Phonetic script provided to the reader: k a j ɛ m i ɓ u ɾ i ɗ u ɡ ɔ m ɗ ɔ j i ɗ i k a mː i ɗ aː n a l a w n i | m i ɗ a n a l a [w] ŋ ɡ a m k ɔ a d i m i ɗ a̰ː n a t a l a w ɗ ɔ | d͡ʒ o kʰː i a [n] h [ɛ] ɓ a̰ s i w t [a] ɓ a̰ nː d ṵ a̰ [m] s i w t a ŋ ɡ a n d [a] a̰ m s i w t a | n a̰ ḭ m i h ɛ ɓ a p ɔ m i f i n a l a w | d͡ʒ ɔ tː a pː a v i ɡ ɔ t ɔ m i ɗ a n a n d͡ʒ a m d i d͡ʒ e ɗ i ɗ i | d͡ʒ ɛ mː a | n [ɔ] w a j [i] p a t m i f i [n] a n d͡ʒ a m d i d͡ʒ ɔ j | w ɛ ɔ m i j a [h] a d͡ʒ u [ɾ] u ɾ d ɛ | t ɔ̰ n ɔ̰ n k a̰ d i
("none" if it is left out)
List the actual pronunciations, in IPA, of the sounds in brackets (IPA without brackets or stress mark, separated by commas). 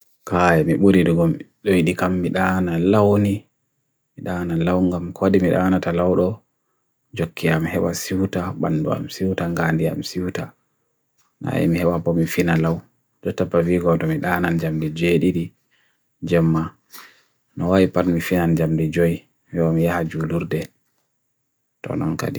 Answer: w, m, ɛ, a, m, i, ɔ, i, n, h, l